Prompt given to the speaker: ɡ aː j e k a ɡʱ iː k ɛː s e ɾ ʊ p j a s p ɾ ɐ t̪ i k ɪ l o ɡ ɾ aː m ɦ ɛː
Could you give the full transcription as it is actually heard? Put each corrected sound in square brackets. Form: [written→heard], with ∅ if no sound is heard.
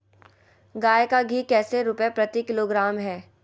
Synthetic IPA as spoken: ɡ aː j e k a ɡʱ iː k ɛː s e ɾ ʊ p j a [s→∅] p ɾ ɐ t̪ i k ɪ l o ɡ ɾ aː m ɦ ɛː